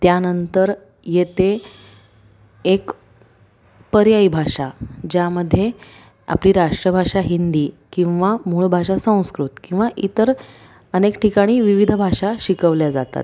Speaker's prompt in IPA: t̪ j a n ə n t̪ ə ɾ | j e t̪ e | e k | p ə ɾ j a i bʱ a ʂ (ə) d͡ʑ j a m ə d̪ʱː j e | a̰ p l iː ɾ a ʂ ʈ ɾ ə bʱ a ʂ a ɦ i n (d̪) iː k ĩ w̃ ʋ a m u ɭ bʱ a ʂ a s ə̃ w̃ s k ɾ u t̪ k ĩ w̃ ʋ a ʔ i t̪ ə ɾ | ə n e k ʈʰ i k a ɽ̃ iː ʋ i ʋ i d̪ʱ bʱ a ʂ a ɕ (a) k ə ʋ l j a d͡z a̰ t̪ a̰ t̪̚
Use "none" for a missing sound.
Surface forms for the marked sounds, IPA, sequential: a, d̪, i

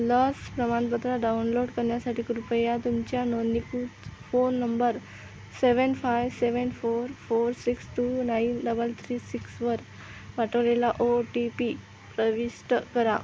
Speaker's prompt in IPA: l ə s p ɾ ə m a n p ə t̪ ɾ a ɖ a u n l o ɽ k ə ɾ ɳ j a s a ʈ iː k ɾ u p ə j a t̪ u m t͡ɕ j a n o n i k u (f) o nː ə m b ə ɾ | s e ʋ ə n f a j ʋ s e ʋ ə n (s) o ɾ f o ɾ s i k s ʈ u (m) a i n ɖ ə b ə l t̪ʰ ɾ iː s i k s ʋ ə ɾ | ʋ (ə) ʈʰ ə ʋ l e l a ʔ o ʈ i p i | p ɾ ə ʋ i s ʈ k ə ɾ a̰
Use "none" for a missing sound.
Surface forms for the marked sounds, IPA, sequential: f, f, n, a

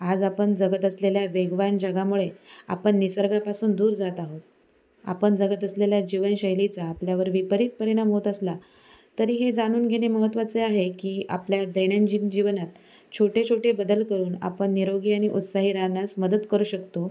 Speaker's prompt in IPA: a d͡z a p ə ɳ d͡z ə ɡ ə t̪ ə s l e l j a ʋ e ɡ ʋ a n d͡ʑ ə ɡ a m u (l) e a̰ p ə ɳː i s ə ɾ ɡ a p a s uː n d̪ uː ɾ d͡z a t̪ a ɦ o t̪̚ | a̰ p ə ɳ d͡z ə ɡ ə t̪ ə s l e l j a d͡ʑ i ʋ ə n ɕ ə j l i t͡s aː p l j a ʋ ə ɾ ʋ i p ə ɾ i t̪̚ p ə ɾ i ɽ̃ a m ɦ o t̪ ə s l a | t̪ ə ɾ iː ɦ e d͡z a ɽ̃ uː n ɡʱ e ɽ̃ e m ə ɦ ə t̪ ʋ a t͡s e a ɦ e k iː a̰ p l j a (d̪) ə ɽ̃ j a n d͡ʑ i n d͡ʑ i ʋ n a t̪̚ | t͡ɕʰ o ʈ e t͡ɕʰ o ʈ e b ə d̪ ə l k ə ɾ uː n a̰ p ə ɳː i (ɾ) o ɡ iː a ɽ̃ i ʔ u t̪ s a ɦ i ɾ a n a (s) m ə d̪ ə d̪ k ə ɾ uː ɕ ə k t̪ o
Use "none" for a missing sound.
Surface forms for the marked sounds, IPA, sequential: ɭ, d̪, ɾ, s

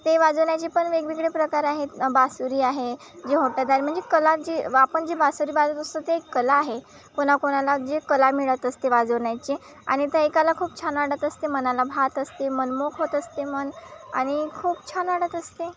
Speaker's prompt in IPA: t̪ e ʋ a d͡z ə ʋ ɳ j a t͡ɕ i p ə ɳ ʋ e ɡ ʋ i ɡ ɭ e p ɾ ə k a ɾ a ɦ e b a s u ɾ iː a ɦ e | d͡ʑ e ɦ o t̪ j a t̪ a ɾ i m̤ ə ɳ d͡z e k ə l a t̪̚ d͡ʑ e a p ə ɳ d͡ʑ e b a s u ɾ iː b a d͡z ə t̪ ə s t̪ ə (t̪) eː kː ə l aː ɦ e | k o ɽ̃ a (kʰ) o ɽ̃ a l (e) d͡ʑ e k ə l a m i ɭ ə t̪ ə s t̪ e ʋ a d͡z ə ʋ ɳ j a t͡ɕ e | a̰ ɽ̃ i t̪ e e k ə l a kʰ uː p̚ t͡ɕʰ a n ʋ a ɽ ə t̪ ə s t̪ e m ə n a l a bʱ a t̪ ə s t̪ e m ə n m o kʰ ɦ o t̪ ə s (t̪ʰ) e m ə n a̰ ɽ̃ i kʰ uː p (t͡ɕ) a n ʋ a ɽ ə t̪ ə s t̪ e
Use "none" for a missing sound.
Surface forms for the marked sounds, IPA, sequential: t̪, k, a, t̪, t͡ɕʰ

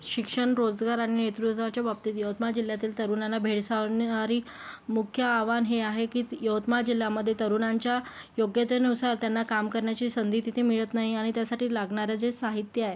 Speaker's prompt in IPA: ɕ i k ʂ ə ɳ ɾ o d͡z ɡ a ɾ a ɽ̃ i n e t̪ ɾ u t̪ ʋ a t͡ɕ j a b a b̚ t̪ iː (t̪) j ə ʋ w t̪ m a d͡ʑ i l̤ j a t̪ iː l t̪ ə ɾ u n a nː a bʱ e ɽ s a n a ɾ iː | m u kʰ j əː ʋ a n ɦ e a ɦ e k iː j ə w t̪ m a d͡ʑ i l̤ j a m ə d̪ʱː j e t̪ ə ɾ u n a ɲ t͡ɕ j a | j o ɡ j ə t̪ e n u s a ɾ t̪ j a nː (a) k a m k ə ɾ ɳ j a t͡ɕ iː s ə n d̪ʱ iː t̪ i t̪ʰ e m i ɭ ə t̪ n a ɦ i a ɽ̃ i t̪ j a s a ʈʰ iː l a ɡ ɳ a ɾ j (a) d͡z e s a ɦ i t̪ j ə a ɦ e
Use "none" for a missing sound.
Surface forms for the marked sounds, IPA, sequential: t̪, a, a

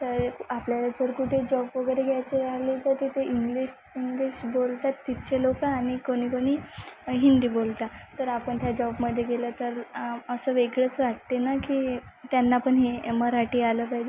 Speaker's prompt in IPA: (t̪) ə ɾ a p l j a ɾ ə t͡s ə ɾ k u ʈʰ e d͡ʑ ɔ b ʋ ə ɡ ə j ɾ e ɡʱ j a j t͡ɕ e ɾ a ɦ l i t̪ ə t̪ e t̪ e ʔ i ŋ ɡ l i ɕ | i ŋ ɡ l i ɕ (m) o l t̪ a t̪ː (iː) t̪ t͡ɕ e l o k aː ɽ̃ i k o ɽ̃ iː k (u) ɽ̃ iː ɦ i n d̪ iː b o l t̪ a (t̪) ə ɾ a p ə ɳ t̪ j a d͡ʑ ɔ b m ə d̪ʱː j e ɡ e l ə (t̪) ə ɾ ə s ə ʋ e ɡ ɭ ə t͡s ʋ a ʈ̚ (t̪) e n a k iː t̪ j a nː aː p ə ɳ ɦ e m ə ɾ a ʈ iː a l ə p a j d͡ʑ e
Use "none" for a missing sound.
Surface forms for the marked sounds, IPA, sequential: t̪, b, i, o, t̪, t̪, t̪

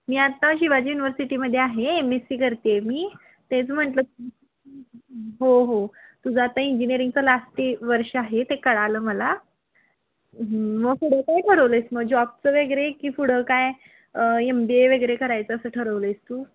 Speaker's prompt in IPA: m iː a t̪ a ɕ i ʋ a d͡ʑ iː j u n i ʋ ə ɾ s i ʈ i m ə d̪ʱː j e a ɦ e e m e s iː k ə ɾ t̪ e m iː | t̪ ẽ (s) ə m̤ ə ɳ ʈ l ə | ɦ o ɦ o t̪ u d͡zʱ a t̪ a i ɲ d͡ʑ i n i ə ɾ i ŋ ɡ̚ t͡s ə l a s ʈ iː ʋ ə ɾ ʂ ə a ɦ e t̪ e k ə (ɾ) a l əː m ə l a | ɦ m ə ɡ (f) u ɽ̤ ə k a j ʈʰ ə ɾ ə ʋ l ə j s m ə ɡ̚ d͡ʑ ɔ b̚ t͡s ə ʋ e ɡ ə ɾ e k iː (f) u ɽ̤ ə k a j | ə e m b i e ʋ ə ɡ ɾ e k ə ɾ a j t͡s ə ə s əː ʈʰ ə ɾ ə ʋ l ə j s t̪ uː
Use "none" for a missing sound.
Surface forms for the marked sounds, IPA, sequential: t͡s, ɽ, f, f

